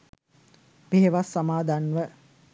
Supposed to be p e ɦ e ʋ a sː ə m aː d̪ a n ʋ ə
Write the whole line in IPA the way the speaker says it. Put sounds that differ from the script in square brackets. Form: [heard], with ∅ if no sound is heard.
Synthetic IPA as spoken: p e ɦ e ʋ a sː [a] m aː d̪ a n ʋ ə